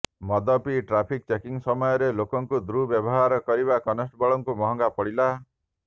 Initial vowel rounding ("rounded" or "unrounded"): rounded